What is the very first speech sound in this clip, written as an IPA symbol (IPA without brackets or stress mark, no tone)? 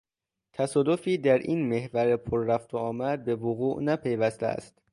t̪ʰ